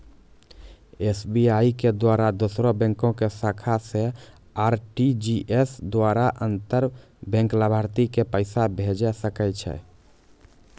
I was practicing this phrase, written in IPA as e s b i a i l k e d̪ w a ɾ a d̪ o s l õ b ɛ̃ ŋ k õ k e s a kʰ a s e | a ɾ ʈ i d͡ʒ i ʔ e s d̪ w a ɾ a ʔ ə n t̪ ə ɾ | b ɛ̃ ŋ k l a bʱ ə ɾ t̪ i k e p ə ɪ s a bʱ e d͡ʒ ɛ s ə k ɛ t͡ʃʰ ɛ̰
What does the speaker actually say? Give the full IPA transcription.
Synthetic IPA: e s b i a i k e d̪ w a ɾ a d̪ o s ɾ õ b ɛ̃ ŋ k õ k e s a kʰ a s e | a ɾ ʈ i d͡ʒ i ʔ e s d̪ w a ɾ a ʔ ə n t̪ ə ɾ | b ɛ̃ ŋ k l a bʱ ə ɾ t̪ i k e p ə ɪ s a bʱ e d͡ʒ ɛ s ə k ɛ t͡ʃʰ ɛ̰